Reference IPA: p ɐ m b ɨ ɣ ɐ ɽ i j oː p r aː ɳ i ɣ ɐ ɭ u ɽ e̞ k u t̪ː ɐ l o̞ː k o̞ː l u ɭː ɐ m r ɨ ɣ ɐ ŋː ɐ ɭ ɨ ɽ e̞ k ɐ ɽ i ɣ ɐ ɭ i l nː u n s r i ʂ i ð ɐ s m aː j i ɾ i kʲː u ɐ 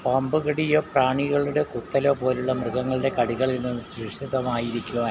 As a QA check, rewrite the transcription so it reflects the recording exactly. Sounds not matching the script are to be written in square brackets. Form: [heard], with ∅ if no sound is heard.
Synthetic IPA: p ɐ m b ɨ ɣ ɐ ɽ i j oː p r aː ɳ i ɣ ɐ ɭ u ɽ e̞ k u t̪ː ɐ l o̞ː [p] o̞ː l u ɭː ɐ m r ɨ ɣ ɐ ŋː ɐ ɭ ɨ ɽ e̞ k ɐ ɽ i ɣ ɐ ɭ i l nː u n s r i ʂ i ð ɐ [∅] m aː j i ɾ i kʲː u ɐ